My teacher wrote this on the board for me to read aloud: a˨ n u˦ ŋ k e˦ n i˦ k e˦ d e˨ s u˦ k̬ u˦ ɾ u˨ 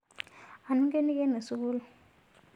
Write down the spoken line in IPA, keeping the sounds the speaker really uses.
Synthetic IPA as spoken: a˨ n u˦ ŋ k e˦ n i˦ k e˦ n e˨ s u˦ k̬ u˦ l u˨